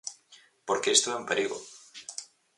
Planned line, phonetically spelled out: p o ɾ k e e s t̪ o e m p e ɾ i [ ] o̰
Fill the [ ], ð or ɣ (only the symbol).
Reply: ɣ